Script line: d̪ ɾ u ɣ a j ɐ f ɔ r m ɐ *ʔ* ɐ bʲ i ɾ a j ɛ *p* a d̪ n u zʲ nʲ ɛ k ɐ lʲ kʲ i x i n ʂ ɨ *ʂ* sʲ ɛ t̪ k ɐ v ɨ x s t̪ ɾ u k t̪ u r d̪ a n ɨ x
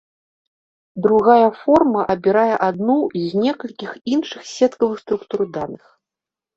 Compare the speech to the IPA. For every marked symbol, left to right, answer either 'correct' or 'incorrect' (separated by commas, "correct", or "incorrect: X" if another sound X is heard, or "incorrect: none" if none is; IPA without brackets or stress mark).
correct, incorrect: ʔ, incorrect: x